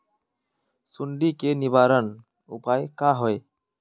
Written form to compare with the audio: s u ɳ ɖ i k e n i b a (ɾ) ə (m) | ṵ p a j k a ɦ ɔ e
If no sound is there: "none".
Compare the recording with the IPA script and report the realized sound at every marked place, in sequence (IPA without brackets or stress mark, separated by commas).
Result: ɾ, n